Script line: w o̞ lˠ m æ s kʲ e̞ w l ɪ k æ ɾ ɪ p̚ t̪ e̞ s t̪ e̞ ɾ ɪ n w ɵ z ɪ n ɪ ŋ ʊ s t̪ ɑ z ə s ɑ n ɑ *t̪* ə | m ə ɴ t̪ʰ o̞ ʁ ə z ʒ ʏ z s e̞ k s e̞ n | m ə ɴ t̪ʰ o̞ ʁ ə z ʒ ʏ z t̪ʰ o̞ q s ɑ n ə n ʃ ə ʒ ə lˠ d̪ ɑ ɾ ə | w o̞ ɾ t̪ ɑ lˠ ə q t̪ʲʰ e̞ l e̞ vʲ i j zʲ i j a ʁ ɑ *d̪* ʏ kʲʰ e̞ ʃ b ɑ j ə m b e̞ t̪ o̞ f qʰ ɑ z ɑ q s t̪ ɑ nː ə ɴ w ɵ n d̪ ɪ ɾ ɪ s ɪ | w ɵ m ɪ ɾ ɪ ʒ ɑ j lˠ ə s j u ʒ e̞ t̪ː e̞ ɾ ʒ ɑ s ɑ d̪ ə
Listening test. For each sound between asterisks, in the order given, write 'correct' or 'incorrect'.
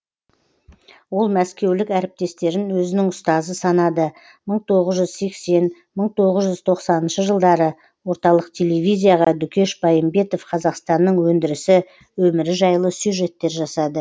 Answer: incorrect, correct

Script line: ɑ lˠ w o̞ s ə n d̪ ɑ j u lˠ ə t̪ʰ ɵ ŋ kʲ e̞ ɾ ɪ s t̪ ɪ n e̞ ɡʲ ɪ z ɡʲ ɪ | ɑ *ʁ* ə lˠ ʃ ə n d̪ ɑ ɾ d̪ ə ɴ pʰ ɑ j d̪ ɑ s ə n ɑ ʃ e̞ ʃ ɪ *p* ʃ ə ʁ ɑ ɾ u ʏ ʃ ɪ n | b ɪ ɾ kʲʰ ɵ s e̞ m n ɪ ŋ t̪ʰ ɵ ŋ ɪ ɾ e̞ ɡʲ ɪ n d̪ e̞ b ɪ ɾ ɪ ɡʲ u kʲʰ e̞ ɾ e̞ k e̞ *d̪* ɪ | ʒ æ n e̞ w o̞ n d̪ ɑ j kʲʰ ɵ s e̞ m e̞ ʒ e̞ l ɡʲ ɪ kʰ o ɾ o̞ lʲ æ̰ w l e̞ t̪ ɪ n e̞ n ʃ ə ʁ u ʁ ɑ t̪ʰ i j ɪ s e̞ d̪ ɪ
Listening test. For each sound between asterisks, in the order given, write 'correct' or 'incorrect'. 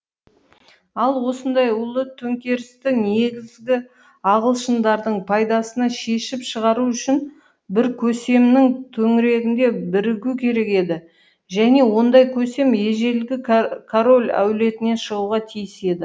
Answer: correct, correct, correct

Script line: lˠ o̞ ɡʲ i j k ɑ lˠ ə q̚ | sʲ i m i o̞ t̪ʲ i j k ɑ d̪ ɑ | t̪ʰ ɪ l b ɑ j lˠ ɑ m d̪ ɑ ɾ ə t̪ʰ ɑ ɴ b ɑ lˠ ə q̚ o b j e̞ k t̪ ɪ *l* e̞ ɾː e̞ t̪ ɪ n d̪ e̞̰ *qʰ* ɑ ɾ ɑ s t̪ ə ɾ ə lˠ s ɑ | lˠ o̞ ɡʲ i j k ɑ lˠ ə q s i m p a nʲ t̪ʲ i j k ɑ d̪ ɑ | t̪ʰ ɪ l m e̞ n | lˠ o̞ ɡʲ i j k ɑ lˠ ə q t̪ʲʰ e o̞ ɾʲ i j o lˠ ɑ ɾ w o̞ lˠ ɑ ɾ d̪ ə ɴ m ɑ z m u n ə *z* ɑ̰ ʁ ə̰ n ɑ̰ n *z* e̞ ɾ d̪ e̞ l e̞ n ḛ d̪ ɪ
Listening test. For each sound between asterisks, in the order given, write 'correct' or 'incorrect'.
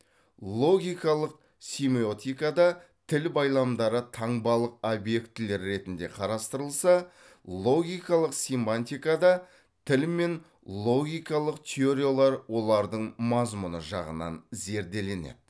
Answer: correct, correct, incorrect, correct

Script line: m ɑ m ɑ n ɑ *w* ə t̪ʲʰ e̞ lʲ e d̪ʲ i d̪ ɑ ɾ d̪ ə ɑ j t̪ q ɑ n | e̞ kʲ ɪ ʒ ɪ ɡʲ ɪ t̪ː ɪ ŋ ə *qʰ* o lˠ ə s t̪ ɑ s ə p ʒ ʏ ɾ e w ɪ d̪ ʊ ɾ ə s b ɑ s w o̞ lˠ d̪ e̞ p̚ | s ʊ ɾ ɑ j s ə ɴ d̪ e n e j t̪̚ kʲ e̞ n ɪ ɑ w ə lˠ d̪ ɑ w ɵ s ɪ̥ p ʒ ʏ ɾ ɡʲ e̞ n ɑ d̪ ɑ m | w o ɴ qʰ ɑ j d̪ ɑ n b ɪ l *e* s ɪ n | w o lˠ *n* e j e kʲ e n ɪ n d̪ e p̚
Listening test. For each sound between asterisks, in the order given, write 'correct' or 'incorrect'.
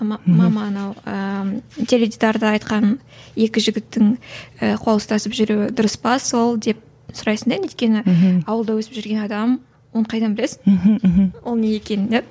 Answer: correct, correct, correct, correct

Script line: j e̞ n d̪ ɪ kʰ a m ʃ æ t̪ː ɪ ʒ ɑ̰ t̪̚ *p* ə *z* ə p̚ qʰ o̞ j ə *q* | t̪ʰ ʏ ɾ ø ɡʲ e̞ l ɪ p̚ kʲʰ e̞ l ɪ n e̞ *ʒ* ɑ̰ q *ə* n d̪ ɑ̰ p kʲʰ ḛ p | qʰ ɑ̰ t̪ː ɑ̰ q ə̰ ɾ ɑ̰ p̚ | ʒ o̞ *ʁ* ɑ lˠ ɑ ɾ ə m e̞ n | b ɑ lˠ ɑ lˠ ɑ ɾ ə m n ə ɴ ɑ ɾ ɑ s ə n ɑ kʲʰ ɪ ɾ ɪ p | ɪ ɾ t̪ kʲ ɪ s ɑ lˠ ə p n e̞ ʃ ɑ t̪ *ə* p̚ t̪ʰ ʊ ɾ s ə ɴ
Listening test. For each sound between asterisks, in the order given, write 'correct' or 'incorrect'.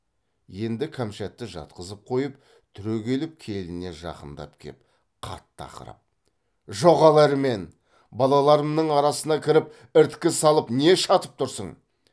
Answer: incorrect, correct, incorrect, correct, correct, correct, correct

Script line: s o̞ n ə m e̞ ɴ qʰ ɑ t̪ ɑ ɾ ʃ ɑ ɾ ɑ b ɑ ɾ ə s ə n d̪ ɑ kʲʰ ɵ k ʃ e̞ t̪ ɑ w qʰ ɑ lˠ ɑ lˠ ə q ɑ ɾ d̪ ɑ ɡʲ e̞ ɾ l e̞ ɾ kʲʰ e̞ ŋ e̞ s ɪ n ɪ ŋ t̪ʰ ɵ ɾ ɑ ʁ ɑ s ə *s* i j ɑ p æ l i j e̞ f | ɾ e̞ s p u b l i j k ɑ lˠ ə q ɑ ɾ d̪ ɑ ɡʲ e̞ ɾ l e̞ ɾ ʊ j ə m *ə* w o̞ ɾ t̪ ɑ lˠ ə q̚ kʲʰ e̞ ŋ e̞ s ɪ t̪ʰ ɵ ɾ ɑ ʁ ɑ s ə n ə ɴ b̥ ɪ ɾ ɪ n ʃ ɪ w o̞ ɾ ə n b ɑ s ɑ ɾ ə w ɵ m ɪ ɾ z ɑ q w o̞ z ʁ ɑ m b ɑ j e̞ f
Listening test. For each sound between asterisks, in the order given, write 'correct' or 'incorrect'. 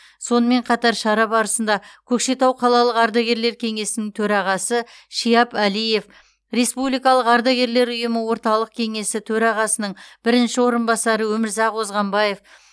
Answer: incorrect, correct

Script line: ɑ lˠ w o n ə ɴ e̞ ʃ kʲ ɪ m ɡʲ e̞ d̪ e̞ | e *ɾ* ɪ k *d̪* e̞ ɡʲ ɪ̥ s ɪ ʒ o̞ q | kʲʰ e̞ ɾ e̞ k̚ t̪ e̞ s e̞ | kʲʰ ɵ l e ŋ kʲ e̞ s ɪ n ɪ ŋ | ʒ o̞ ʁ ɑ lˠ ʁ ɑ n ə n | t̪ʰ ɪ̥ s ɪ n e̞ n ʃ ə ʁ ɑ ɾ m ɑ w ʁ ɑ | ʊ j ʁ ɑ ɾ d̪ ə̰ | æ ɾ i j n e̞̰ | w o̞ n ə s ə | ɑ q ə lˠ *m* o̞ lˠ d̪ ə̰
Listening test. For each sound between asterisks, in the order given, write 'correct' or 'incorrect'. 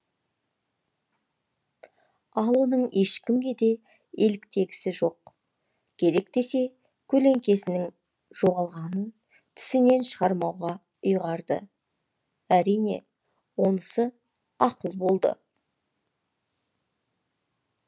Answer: incorrect, incorrect, incorrect

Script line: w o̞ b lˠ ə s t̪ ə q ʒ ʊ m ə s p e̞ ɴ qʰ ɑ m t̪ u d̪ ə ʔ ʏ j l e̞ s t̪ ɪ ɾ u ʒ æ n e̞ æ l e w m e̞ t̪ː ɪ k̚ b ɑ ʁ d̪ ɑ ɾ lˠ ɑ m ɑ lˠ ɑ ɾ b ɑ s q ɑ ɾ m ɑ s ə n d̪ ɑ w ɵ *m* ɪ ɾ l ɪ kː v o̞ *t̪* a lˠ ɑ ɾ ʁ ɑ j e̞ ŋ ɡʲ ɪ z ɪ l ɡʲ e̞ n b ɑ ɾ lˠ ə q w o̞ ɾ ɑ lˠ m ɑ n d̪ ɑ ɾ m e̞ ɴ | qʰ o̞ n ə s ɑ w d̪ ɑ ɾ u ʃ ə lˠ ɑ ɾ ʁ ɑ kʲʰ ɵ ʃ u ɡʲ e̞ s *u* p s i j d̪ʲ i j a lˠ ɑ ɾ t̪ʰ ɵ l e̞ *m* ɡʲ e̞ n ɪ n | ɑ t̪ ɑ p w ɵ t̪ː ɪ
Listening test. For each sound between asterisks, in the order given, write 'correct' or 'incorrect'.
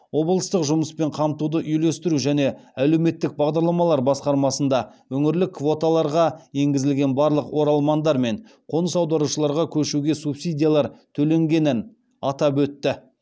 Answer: incorrect, correct, correct, incorrect

